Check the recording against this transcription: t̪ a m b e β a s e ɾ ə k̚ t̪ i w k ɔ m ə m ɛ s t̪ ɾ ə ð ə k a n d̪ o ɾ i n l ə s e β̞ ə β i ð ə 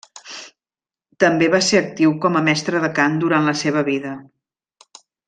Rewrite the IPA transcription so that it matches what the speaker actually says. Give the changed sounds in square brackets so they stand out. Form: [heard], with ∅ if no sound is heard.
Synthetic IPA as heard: t̪ [ə] m b e β a s e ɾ ə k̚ t̪ i w k ɔ m ə m ɛ s t̪ ɾ ə ð ə k a n d̪ [u] ɾ [a] n l ə s e β̞ ə β i ð ə

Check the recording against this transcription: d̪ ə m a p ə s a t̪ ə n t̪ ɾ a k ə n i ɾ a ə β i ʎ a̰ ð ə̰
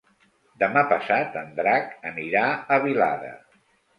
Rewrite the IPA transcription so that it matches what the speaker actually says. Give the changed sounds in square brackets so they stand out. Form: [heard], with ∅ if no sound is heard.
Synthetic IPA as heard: d̪ ə m a p ə s a t̪ ə n [d̪] ɾ a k ə n i ɾ a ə β i [l] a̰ ð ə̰

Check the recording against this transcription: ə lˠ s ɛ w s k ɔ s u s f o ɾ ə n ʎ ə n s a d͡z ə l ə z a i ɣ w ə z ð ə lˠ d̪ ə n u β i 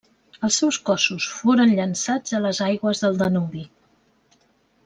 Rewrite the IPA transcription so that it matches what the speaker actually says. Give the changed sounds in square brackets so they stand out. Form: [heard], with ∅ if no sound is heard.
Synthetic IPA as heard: ə lˠ s ɛ w s k ɔ s u s f o ɾ ə n ʎ ə n s a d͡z ə l ə z a [j] ɣ w ə z ð ə lˠ d̪ ə n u β i

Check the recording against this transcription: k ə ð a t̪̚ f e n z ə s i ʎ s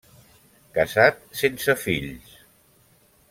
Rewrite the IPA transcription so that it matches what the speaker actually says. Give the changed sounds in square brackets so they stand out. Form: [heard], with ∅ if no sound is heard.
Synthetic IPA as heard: k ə [z] a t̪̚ [s] e n [s] ə [f] i ʎ s

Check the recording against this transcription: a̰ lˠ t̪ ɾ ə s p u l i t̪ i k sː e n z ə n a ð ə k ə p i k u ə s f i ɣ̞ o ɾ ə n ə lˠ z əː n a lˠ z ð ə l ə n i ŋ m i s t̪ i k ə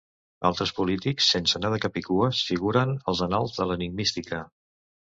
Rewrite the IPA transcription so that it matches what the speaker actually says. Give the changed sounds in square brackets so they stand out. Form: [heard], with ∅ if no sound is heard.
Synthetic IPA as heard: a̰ lˠ t̪ ɾ ə s p u l i t̪ i k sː e n [s] ə n a ð ə k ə p i k u ə s f i ɣ̞ [u] ɾ ə n ə lˠ z [ə] n a lˠ z ð ə l ə n i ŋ m i s t̪ i k ə

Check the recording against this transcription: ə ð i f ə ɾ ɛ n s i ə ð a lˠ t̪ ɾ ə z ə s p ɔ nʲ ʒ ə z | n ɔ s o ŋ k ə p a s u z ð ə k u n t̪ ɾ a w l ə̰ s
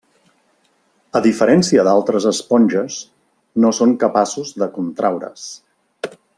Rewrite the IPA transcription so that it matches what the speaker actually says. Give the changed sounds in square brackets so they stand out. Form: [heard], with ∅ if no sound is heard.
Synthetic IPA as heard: ə ð i f ə ɾ ɛ n s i ə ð a lˠ t̪ ɾ ə z ə s p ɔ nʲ ʒ ə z | n [o] s o ŋ k ə p a s u z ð ə k u n t̪ ɾ a w [ɾ] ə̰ s

